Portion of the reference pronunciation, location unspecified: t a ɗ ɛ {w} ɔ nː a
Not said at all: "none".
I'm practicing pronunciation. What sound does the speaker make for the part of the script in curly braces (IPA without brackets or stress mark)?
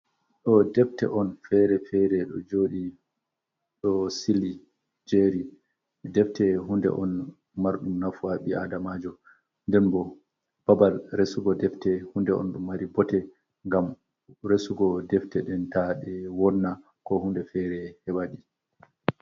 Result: w